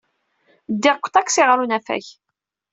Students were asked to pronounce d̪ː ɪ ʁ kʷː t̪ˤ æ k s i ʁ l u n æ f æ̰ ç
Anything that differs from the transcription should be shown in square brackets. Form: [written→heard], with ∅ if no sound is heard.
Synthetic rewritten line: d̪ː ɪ ʁ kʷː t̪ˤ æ k s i ʁ [l→ɾ] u n æ f æ̰ ç